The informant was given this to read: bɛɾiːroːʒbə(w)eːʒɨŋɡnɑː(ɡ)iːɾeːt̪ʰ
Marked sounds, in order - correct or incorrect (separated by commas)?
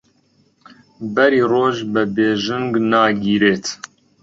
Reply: incorrect, correct